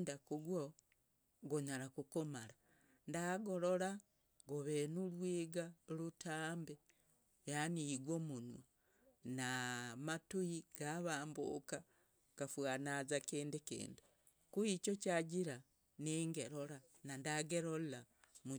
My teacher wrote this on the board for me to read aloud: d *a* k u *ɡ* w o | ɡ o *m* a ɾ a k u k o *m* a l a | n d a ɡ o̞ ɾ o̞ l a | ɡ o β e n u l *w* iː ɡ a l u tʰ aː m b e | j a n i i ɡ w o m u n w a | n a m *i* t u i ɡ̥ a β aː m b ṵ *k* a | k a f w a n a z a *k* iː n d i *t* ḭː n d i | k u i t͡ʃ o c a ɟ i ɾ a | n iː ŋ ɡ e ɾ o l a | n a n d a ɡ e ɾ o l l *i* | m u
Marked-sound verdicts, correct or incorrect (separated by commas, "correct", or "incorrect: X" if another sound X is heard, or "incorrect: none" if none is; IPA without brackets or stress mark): correct, correct, incorrect: ɲ, correct, correct, incorrect: a, correct, correct, incorrect: k, incorrect: a